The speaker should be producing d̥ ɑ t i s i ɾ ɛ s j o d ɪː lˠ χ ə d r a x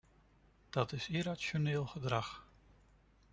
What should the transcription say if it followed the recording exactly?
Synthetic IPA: d̥ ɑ t ɪ s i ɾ a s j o n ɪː lˠ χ ə d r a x

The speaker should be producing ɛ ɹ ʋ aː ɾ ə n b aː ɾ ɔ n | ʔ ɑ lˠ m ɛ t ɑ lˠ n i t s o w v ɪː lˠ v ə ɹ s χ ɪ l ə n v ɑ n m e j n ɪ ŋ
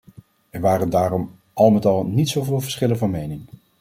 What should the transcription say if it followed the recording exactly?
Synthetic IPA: ɛ ɹ ʋ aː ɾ ə n d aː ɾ ɔ m | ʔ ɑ lˠ m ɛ t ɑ lˠ n i t s o w v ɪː lˠ v ə ɹ s χ ɪ l ə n v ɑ n m e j n ɪ ŋ

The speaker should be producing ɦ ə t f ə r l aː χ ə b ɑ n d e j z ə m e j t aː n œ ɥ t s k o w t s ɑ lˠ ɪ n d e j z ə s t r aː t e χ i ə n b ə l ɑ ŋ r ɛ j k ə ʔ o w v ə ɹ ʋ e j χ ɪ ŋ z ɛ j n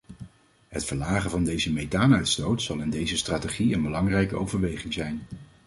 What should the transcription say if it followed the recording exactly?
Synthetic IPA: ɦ ə t f ə ɹ l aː χ ə v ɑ n d e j z ə m e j t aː n œ ɥ t s t o w t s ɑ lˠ ɪ n d e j z ə s t r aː t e χ i ə n b ə l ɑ ŋ r ɛ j k ə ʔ o w v ə ɹ ʋ e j χ ɪ ŋ z ɛ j n

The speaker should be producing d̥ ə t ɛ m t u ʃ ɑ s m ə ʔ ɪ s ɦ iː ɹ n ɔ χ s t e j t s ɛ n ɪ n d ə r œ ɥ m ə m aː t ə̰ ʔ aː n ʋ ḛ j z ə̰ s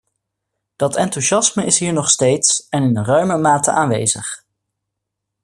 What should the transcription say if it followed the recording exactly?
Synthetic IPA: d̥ ɑ t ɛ n t u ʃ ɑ s m ə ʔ ɪ s ɦ iː ɹ n ɔ χ s t e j t s ɛ n ɪ n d ə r œ ɥ m ə m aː t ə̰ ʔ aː n ʋ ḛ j z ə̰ χ

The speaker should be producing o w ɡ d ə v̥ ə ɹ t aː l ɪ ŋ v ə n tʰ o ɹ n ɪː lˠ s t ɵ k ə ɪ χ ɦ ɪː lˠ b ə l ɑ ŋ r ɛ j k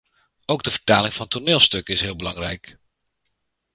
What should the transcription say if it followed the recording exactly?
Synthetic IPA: o w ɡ d ə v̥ ə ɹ t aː l ɪ ŋ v ɑ n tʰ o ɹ n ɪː lˠ s t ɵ k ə ɪ s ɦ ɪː lˠ b ə l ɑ ŋ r ɛ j k

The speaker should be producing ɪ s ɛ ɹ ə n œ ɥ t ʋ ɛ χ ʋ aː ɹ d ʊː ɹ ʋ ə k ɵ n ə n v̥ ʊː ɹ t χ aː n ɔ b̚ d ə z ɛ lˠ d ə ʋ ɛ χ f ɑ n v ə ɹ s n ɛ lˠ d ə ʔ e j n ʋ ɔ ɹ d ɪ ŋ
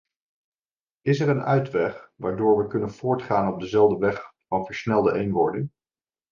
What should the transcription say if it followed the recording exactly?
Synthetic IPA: ɪ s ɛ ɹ ə n œ ɥ t ʋ ɛ χ ʋ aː ɹ d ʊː ɹ ʋ ə k ɵ n ə n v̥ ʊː ɹ t χ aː n ɔ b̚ d ə z ɛ lˠ d ə ʋ ɛ χ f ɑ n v ə ɹ s n ɛ lˠ d ə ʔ e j n ʋ ɔ ɹ d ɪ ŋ

